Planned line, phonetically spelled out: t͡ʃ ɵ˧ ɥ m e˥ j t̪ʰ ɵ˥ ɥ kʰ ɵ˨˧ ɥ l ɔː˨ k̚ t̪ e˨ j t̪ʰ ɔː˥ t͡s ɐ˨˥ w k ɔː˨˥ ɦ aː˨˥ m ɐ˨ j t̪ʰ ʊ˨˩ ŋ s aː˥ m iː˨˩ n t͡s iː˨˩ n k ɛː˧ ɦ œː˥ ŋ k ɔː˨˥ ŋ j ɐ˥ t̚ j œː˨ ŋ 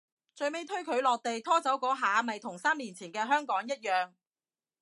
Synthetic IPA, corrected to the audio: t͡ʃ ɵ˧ ɥ m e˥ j t̪ʰ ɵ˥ ɥ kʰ ɵ˨˧ ɥ l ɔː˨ k̚ t̪ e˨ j t̪ʰ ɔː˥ t͡s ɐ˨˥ w k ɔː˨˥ ɦ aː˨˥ m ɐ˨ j t̪ʰ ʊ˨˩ ŋ s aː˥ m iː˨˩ n t͡sʰ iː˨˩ n k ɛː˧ ɦ œː˥ ŋ k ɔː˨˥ ŋ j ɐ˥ t̚ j œː˨ ŋ